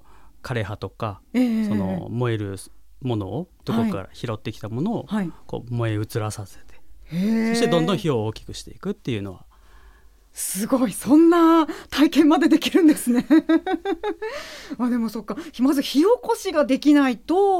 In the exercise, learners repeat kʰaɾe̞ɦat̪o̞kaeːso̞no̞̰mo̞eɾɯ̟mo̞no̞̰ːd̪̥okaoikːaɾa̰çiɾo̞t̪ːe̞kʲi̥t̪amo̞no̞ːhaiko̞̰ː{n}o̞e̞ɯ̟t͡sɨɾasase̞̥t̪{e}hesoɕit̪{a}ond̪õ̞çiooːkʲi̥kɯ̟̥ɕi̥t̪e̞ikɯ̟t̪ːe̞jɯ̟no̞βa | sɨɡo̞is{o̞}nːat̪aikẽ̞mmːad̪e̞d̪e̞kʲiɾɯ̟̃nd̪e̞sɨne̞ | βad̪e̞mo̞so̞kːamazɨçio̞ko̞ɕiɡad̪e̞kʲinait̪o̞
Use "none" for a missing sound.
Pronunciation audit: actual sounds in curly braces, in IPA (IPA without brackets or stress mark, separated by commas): m, e, e, õ̞